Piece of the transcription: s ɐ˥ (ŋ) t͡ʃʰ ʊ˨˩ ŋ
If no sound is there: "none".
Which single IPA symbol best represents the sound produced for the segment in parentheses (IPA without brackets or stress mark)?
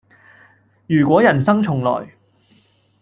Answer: ŋ